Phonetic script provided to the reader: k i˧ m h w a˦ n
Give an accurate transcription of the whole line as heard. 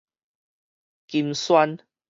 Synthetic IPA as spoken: k i˧ m s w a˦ n